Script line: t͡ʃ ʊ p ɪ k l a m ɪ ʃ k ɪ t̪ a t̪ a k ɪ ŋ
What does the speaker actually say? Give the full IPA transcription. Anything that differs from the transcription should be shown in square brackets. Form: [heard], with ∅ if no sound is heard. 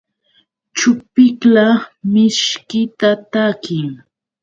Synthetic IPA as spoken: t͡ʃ ʊ p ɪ k l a m ɪ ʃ k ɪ t̪ a t̪ a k ɪ ŋ